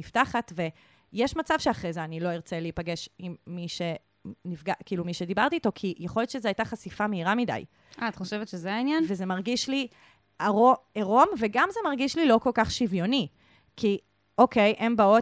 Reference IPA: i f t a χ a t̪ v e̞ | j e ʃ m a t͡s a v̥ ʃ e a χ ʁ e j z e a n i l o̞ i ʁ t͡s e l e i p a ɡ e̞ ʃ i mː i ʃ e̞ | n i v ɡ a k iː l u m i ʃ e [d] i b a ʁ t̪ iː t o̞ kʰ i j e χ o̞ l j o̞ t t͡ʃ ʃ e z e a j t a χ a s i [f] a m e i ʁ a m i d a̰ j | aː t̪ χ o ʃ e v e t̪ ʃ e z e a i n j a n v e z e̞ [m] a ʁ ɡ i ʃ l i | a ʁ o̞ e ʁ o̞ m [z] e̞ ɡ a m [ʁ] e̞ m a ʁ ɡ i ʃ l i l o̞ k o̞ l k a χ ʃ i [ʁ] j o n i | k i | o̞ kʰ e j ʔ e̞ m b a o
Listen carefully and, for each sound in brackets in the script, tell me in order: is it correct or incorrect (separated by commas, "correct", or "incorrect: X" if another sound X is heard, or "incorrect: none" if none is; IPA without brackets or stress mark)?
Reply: correct, correct, correct, incorrect: v, incorrect: z, incorrect: v